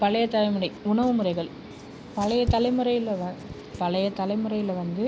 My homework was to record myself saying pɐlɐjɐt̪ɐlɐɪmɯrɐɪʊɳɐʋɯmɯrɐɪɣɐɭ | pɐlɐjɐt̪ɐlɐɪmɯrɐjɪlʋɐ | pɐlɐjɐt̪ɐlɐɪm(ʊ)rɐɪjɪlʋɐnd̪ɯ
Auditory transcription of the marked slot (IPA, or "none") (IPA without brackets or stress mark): ɯ